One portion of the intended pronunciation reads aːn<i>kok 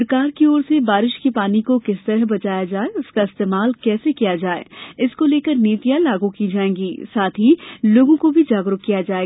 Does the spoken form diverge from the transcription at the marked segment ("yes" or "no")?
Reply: no